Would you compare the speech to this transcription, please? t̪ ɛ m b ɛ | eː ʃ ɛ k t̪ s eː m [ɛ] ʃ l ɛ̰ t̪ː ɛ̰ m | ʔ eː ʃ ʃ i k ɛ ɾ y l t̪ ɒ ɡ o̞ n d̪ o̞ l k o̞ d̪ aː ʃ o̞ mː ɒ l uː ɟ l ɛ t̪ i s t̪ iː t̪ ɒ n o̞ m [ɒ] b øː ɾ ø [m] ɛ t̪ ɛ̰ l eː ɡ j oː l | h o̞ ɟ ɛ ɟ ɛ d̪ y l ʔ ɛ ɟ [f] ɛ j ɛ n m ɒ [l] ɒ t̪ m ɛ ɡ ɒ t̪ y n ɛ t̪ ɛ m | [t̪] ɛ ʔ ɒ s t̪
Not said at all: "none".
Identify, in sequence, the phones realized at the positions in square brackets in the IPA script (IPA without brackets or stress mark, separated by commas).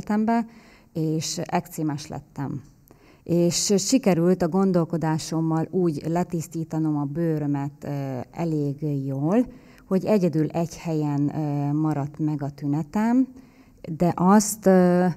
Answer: ɛ, ɒ, m, h, ɾ, d̪